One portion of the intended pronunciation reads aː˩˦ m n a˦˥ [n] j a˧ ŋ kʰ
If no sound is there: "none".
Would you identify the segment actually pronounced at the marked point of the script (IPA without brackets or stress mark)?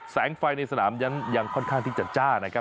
n